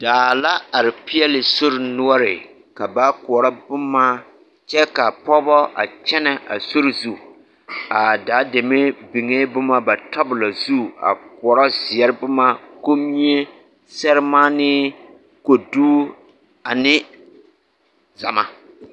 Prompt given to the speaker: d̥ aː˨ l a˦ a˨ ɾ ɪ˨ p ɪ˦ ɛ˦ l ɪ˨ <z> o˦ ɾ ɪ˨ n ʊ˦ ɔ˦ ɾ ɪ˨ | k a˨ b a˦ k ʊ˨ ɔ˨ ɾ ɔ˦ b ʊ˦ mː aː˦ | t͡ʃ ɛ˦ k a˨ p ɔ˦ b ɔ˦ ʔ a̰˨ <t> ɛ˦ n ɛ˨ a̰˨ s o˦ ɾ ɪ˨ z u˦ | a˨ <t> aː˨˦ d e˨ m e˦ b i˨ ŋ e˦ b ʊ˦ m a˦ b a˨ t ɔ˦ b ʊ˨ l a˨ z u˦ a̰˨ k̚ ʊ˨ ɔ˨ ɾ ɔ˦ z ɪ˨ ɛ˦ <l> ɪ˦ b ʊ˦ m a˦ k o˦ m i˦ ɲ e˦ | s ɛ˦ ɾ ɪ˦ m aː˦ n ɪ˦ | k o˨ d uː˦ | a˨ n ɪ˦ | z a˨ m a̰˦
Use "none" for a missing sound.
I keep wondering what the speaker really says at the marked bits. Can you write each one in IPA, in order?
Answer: s, t͡ʃ, d, ɾ

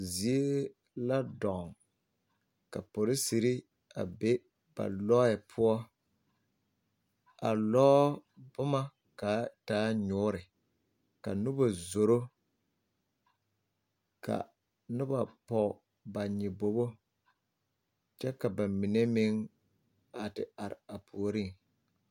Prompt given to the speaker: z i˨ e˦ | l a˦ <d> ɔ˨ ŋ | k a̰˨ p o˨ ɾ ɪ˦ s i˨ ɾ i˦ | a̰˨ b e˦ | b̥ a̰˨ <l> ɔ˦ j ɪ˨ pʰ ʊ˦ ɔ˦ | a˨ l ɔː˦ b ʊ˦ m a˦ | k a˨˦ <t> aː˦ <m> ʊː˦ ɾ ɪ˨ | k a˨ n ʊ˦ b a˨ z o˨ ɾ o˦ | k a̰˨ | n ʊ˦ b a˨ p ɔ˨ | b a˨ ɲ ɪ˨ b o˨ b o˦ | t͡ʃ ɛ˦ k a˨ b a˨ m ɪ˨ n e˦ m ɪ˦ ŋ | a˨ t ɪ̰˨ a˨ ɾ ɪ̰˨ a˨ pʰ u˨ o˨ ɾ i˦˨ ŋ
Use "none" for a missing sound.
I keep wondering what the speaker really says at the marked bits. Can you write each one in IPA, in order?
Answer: d, l, t, ɲ

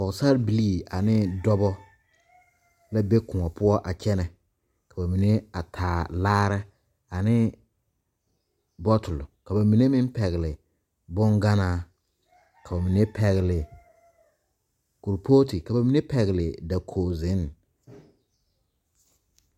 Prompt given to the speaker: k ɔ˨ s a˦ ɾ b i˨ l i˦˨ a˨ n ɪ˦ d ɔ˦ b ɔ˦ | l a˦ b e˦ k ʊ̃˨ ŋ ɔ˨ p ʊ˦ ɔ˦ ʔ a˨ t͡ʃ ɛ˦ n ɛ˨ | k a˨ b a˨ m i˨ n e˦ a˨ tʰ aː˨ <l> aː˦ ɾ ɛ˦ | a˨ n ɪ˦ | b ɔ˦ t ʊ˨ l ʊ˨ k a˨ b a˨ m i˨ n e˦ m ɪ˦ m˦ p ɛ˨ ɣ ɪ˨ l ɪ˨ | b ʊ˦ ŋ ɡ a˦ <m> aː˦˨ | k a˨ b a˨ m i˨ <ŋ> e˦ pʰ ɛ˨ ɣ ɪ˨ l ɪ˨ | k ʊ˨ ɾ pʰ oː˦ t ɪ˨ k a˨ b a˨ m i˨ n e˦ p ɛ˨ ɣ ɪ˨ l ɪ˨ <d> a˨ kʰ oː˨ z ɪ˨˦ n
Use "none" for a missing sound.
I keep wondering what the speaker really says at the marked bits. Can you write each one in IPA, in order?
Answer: l, n, n, d

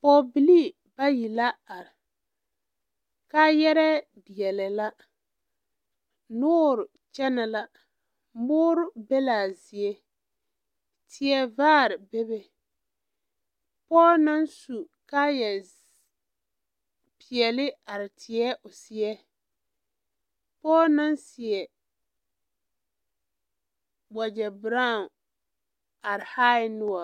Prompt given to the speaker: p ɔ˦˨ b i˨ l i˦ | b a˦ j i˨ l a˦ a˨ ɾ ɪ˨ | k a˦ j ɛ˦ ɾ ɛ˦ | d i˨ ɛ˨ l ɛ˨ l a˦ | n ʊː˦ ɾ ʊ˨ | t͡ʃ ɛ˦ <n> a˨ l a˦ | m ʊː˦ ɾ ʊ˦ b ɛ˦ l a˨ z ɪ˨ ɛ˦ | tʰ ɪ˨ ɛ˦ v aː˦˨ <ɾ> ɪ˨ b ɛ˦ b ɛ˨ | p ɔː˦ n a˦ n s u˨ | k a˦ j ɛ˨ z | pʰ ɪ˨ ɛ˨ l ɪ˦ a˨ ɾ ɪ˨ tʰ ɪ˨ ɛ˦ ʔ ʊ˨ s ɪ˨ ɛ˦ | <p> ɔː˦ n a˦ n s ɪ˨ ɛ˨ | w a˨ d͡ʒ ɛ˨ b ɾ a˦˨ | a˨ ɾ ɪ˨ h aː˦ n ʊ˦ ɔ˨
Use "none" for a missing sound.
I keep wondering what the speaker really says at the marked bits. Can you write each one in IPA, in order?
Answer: n, ɾ, p

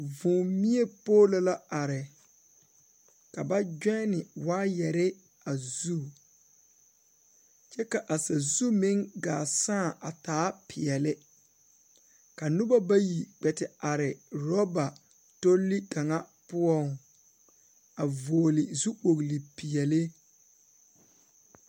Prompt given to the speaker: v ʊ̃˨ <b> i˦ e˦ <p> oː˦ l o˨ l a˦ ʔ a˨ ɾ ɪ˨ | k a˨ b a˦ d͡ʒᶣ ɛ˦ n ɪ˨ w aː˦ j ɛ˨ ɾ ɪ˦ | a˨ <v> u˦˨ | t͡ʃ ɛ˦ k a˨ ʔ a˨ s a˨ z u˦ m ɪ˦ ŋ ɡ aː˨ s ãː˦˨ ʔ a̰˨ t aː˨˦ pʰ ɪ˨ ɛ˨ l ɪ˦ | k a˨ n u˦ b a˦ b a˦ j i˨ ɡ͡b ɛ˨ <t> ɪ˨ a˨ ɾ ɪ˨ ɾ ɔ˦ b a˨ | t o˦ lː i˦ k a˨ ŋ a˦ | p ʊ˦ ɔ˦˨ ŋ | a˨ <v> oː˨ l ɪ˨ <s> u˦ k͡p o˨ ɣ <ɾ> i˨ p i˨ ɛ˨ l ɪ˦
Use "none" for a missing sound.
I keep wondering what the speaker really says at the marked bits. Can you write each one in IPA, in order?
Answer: m, p, z, t, v, z, l

